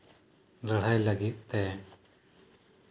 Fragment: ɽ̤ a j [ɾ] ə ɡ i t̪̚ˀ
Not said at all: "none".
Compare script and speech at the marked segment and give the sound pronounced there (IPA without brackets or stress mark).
l